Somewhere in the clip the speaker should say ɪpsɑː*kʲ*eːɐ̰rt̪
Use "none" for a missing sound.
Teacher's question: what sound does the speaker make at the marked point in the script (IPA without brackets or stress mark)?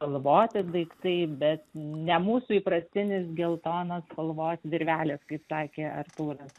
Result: kʲ